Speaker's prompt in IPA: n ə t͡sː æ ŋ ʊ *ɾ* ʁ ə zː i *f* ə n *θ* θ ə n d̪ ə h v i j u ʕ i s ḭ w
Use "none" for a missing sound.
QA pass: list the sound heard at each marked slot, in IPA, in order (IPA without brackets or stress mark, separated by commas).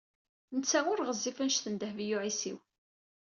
ɾ, f, ʃ